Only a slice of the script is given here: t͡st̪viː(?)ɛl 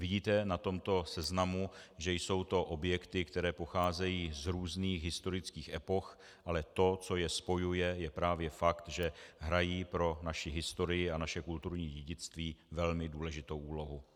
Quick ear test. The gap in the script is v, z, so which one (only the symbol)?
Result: v